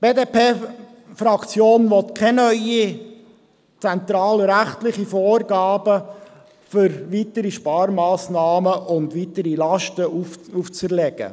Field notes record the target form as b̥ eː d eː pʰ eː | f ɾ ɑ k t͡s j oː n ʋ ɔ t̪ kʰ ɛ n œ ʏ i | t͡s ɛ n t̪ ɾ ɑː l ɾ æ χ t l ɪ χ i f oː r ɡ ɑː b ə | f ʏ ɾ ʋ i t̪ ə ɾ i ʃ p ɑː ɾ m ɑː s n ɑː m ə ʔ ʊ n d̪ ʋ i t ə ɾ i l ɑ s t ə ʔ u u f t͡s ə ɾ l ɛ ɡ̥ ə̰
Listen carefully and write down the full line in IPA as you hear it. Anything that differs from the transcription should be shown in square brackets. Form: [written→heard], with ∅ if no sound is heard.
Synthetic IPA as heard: b̥ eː d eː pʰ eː | f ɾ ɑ k t͡s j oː n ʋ ɔ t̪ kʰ ɛ n œ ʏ i | t͡s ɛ n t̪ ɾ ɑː l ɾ æ χ t l ɪ χ i f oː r ɡ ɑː b ə | f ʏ ɾ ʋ i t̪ ə ɾ i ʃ p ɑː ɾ m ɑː s n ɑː m ə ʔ ʊ n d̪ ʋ i t ə ɾ i l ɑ [s→ʃ] t ə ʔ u u f t͡s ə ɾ l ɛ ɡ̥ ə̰